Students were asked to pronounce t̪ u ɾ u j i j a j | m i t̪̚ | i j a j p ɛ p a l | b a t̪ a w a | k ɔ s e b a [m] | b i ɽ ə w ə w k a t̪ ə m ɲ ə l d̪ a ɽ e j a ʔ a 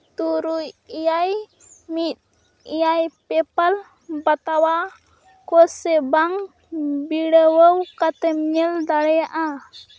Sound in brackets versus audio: incorrect: ŋ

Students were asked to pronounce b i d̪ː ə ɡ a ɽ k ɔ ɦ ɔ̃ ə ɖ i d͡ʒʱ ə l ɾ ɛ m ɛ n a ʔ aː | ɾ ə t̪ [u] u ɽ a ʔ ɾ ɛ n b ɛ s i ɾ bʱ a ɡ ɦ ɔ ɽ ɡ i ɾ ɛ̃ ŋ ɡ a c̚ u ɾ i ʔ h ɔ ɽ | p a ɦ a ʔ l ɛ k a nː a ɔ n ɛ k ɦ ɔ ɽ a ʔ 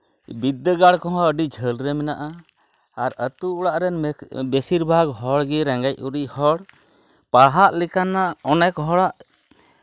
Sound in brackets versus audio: correct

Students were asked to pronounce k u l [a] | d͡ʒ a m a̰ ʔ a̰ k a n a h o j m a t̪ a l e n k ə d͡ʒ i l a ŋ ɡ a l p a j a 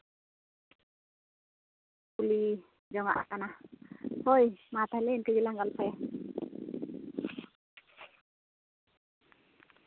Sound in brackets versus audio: incorrect: i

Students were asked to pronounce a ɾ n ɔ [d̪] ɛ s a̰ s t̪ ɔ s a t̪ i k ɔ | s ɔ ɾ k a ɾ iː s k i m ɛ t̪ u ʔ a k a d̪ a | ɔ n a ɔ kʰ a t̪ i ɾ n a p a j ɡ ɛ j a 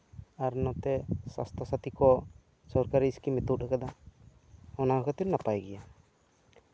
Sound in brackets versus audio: incorrect: t̪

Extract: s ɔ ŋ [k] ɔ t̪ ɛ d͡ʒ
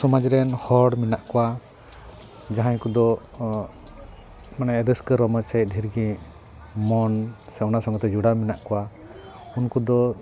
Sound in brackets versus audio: incorrect: ɡ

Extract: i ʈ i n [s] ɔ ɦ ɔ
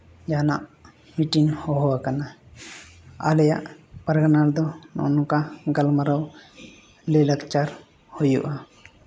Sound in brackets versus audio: incorrect: h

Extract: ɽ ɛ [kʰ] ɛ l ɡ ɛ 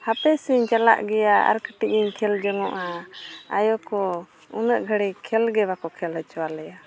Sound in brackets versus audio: correct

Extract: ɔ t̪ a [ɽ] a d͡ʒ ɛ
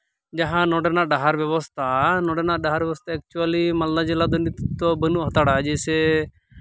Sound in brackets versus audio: correct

